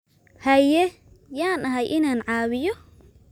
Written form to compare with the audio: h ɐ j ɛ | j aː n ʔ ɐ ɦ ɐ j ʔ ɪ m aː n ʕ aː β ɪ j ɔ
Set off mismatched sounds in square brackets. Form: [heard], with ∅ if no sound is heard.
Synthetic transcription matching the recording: h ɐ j ɛ | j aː n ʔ ɐ ɦ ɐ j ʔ ɪ [n] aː n ʕ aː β ɪ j ɔ